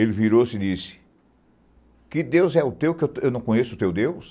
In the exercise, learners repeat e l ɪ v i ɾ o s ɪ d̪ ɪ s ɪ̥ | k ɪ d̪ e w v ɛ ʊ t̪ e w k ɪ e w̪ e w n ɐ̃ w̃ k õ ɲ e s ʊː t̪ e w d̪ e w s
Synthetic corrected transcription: e l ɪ v i ɾ o s ɪ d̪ i s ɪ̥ | k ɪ d̪ e w z ɛ ʊ t̪ e w k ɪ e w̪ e w n ɐ̃ w̃ k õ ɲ e s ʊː t̪ e w d̪ e w s

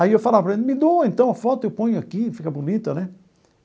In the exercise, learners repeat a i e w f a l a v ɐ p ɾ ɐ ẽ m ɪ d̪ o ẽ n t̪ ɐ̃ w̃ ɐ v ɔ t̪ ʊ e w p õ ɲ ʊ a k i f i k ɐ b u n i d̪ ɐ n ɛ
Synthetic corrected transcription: a i e w f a l a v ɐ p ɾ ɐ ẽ m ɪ d̪ o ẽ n t̪ ɐ̃ w̃ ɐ f ɔ t̪ ʊ e w p õ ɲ ʊ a k i f i k ɐ b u n i t̪ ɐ n ɛ

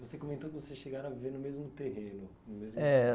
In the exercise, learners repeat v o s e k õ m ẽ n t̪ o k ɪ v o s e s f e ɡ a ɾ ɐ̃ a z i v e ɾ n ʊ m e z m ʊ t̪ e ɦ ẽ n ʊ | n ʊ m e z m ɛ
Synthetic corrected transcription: v o s e k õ m ẽ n t̪ o k ɪ v o s e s ʃ e ɡ a ɾ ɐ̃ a v i v e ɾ n ʊ m e z m ʊ t̪ e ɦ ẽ n ʊ | n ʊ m e z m ɛ

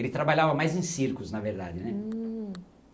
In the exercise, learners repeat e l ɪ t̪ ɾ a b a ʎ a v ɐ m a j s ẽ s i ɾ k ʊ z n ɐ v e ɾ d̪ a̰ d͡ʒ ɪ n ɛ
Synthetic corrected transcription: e l ɪ t̪ ɾ a b a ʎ a v ɐ m a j z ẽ s i ɾ k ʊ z n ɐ v e ɾ d̪ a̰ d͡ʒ ɪ n ɛ

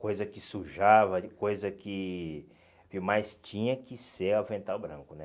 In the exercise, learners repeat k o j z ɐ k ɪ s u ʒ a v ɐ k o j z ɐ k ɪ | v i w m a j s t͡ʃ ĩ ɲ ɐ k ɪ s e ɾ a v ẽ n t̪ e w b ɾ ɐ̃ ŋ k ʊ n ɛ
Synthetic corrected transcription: k o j z ɐ k ɪ s u ʒ a v ɐ k o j z ɐ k ɪ | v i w m a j s t͡ʃ ĩ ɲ ɐ k ɪ s e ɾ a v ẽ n t̪ a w b ɾ ɐ̃ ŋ k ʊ n ɛ

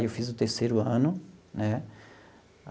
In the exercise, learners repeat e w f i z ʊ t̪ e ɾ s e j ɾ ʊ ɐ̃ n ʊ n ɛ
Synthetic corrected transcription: e w f i z ʊ t̪ e ɾ s e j ɾ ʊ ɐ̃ n ʊ n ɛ

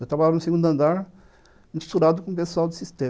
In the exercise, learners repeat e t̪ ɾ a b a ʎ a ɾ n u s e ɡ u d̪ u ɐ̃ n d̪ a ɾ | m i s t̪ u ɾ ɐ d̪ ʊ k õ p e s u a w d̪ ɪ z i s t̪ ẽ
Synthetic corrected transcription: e t̪ ɾ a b a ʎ a ɾ n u s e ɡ ũ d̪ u ɐ̃ n d̪ a ɾ | m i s t̪ u ɾ a d̪ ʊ k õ p e s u a w d̪ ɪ s i s t̪ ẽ

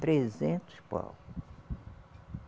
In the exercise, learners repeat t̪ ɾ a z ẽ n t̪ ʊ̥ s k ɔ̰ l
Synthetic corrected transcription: t̪ ɾ e z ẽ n t̪ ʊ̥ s p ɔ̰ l

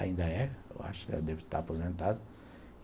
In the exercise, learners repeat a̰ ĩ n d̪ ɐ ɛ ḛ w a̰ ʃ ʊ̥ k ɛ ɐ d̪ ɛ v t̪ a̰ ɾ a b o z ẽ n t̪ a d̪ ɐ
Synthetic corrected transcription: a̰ ĩ n d̪ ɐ ɛ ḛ w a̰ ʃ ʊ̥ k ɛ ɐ d̪ ɛ v t̪ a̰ ɾ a p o z ẽ n t̪ a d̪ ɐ

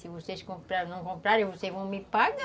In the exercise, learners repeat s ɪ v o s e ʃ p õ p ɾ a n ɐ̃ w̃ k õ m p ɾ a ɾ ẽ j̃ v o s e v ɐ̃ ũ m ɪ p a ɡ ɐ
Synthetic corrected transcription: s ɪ v o s e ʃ k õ p ɾ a n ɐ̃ w̃ k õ m p ɾ a ɾ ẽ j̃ v o s e v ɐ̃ w̃ m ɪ p a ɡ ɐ

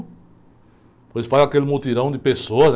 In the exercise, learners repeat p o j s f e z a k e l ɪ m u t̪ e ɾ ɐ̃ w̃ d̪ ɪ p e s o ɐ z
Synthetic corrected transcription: p o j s f a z a k e l ɪ m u t̪ i ɾ ɐ̃ w̃ d̪ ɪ p e s o ɐ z

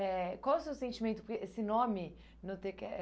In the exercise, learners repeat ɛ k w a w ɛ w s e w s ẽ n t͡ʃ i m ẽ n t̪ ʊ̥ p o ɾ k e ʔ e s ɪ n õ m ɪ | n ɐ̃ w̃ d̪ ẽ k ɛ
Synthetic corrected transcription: ɛ k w a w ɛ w s e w s ẽ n t͡ʃ i m ẽ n t̪ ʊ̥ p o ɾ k e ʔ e s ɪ n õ m ɪ | n ɐ̃ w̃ t̪ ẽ k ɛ

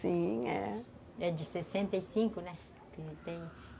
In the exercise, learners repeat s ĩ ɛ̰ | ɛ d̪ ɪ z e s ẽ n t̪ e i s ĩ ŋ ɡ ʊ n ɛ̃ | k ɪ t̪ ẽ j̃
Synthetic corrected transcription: s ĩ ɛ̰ | ɛ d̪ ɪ s e s ẽ n t̪ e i s ĩ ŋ k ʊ n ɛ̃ | k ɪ t̪ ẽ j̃

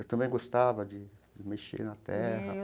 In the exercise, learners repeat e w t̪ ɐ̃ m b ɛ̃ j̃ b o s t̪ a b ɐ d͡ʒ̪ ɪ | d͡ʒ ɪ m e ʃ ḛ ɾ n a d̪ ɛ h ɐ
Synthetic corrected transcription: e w t̪ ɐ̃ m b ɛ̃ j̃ ɡ o s t̪ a v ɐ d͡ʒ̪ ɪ | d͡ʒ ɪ m e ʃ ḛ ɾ n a t̪ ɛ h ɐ

